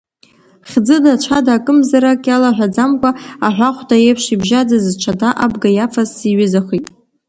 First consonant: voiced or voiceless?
voiceless